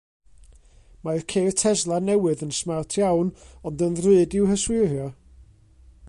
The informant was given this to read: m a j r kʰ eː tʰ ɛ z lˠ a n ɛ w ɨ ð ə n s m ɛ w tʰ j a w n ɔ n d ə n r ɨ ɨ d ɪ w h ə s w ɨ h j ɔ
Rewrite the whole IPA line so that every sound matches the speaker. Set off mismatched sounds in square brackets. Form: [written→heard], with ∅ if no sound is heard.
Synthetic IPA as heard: m a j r kʰ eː tʰ ɛ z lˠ a n ɛ w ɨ ð ə n s m [ɛ→a] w tʰ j a w n ɔ n d ə n r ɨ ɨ d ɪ w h ə s w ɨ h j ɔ